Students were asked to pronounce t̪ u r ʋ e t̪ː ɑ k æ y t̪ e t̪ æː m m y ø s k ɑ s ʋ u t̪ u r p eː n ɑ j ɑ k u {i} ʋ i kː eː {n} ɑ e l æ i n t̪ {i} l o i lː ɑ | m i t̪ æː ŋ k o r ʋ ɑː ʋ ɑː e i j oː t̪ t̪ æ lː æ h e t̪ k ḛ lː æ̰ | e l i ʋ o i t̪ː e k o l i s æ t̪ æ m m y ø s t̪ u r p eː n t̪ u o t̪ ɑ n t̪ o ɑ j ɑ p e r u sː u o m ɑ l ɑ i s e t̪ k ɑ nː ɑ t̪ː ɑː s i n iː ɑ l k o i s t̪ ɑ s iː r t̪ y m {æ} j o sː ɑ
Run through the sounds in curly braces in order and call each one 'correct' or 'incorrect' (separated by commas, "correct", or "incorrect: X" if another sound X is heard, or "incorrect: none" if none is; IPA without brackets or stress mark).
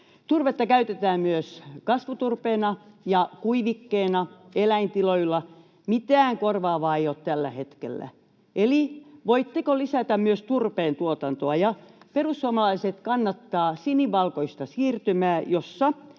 correct, correct, correct, incorrect: æː